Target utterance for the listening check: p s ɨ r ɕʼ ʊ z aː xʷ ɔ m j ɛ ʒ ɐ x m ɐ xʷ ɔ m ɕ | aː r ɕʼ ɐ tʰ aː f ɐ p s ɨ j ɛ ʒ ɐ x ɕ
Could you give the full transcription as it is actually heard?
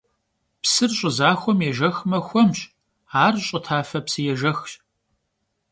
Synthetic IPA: p s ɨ r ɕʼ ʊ z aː xʷ ɔ m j ɛ ʒ ɐ x m ɐ xʷ ɔ m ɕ | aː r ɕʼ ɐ tʰ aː f ɐ p s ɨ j ɛ ʒ ɐ x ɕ

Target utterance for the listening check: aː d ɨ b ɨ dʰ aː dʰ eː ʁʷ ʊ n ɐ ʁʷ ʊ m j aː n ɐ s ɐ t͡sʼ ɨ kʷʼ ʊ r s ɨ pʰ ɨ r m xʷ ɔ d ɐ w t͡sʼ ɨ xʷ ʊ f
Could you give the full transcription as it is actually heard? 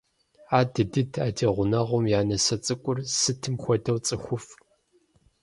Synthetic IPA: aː d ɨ d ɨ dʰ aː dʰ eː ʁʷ ʊ n ɐ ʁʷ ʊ m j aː n ɐ s ɐ t͡sʼ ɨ kʷʼ ʊ r s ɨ tʰ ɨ m xʷ ɔ d ɐ w t͡sʼ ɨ xʷ ʊ f

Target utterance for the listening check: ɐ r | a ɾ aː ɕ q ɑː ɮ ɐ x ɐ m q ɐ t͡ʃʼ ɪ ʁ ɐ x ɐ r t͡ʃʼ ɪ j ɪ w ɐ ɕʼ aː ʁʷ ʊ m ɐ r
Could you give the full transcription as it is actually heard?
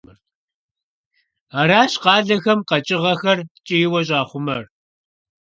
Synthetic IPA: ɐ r | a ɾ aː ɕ q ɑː ɮ ɐ x ɐ m q ɐ t͡ʃʼ ɪ ʁ ɐ x ɐ r t͡ʃʼ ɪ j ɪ w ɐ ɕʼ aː χʷ ʊ m ɐ r

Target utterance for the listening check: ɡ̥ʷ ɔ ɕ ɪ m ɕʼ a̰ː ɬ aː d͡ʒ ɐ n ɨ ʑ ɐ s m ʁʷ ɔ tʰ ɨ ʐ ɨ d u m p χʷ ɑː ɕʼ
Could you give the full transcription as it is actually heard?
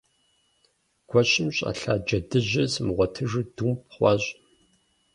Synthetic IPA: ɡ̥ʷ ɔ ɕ ɪ m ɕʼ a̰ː ɬ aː d͡ʒ ɐ d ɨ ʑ ɐ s m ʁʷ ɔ tʰ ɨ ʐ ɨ d u m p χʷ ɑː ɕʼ

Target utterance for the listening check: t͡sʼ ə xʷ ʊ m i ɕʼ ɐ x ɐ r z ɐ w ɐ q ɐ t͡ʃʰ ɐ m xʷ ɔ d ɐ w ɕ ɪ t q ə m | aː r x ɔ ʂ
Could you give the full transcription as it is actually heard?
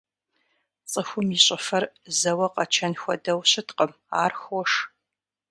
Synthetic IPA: t͡sʼ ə xʷ ʊ m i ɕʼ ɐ f ɐ r z ɐ w ɐ q ɐ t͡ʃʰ ɐ n xʷ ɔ d ɐ w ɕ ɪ t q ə m | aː r x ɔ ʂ

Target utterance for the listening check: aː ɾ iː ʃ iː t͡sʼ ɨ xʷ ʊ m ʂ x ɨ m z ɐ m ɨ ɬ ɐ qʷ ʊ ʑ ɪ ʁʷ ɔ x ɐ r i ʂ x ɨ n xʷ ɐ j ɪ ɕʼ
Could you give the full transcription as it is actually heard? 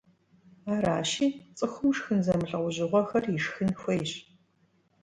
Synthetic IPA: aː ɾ aː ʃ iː t͡sʼ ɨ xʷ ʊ m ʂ x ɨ n z ɐ m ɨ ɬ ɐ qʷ ʊ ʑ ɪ ʁʷ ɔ x ɐ r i ʂ x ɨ n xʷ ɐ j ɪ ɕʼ

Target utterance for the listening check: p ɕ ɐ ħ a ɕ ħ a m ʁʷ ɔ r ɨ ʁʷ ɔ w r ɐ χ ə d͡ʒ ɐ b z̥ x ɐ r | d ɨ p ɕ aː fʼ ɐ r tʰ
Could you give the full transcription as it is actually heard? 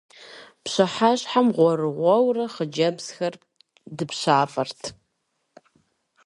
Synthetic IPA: p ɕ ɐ ħ a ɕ ħ a m ʁʷ ɔ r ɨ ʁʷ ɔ w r ɐ χ ə d͡ʒ ɐ b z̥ x ɐ r | d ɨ p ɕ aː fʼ ɐ r tʰ

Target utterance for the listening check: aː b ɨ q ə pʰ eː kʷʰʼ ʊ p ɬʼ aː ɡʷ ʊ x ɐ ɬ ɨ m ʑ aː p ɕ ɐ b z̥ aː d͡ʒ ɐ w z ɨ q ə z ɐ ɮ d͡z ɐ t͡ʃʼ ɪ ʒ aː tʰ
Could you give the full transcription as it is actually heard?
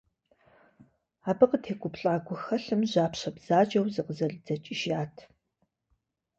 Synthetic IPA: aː b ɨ q ə tʰ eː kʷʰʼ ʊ p ɬʼ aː ɡʷ ʊ x ɐ ɬ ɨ m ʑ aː p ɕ ɐ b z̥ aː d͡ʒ ɐ w z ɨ q ə z ɐ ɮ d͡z ɐ t͡ʃʼ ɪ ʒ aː tʰ

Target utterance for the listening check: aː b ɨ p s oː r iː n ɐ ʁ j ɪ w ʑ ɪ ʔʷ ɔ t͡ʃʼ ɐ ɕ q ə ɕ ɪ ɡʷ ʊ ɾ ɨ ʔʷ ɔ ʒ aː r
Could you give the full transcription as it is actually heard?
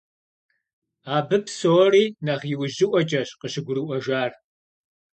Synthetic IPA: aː b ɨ p s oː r iː n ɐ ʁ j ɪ w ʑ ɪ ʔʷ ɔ t͡ʃʼ ɐ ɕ q ə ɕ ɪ ɡʷ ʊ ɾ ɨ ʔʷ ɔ ʒ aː r

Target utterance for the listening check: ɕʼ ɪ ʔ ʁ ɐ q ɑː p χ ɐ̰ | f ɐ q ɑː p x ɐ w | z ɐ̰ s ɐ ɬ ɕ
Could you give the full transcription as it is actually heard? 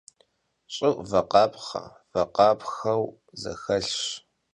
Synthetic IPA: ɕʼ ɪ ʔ v ɐ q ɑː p χ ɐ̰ | v ɐ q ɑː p x ɐ w | z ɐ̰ x ɐ ɬ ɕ

